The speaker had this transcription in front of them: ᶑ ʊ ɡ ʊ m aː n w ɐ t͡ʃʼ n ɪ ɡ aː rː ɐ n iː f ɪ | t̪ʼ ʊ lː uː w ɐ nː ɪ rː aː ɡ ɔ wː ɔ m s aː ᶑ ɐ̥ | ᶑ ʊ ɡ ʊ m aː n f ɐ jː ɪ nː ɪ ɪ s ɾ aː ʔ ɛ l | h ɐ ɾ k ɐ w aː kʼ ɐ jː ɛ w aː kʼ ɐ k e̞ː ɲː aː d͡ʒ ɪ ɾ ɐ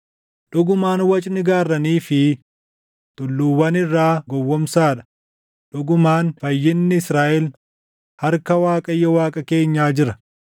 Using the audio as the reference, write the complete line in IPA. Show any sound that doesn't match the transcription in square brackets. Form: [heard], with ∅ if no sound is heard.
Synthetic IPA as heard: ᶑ ʊ ɡ ʊ m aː n w ɐ t͡ʃʼ n ɪ ɡ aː rː ɐ n iː f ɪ | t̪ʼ ʊ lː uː w ɐ [n] ɪ rː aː ɡ ɔ wː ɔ m s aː ᶑ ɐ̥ | ᶑ ʊ ɡ ʊ m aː n f ɐ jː ɪ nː ɪ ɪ s ɾ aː ʔ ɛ l | h ɐ ɾ k ɐ w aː kʼ ɐ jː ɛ w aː kʼ ɐ k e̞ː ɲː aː d͡ʒ ɪ ɾ ɐ